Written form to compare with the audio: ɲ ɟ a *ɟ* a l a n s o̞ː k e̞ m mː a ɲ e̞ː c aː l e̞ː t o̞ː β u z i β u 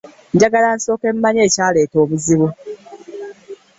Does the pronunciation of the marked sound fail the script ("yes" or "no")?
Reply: yes